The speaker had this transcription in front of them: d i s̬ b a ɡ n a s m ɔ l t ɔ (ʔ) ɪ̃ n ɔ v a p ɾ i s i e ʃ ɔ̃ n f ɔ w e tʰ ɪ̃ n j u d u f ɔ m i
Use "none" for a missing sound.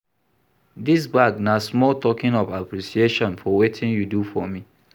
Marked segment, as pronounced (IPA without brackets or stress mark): k